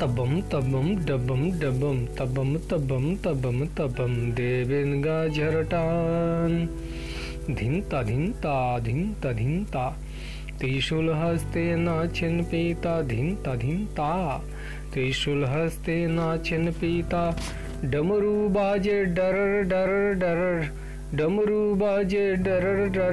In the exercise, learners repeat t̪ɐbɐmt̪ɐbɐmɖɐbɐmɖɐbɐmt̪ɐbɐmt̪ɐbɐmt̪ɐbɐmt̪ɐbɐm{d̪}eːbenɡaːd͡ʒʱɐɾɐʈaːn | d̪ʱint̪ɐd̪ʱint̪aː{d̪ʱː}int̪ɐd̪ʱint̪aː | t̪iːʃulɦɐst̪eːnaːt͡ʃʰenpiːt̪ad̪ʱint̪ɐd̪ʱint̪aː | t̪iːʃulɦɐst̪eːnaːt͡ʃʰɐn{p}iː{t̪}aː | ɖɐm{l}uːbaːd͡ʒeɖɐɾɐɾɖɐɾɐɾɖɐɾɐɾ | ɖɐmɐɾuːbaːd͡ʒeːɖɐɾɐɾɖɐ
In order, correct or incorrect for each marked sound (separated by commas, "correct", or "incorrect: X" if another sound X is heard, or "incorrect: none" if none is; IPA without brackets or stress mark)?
correct, incorrect: d̪ʱ, correct, correct, incorrect: ɾ